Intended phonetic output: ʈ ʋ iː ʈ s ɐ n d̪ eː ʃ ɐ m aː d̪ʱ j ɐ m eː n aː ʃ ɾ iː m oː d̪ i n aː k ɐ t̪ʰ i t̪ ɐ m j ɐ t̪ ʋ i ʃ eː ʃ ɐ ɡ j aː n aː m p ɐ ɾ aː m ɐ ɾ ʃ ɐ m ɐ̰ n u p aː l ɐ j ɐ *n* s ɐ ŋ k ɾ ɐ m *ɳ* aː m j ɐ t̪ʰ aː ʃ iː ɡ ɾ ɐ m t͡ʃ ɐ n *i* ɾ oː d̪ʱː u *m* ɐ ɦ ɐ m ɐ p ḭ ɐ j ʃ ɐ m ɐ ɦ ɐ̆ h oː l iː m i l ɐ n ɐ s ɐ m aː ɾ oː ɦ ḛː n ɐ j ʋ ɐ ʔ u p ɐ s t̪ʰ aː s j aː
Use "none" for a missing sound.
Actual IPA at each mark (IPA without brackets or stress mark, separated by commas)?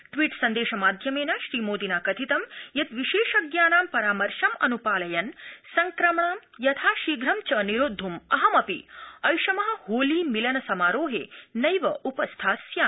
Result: n, ɳ, i, m